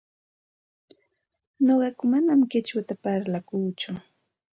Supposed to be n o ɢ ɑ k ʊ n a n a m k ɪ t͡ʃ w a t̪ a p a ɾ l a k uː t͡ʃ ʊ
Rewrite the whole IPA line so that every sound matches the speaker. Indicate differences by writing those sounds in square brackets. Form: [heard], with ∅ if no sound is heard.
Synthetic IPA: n o ɢ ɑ k ʊ [m] a n a m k ɪ t͡ʃ w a t̪ a p a ɾ l a k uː t͡ʃ ʊ